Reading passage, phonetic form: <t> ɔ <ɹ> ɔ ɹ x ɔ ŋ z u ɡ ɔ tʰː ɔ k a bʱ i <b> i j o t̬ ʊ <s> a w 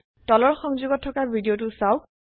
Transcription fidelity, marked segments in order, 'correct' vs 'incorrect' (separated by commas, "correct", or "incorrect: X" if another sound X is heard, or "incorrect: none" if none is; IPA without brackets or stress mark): correct, incorrect: l, incorrect: d, correct